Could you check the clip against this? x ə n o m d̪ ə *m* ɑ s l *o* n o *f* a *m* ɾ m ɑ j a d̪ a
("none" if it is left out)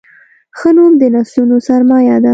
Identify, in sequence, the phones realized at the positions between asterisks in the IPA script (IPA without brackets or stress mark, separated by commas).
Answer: n, u, s, none